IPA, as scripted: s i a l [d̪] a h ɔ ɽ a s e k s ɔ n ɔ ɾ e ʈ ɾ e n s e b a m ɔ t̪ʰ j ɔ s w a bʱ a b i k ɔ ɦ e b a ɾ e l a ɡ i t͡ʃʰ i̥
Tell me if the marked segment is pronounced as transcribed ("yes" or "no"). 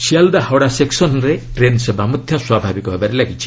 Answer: yes